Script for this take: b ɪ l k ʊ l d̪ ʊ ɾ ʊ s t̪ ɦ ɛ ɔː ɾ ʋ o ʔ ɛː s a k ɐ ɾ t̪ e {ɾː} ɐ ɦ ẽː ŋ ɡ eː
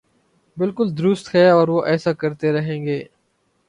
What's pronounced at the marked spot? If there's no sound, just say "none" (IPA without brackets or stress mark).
ɾ